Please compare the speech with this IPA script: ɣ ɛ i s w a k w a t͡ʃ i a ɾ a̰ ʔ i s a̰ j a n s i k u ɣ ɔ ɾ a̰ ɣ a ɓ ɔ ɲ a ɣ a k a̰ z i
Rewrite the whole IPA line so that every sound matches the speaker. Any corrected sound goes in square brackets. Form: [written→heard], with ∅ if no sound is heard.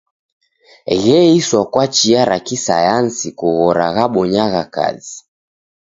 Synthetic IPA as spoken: ɣ ɛ i s w a k w a t͡ʃ i a ɾ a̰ [ʔ→k] i s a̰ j a n s i k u ɣ ɔ ɾ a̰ ɣ a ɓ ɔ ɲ a ɣ a k a̰ z i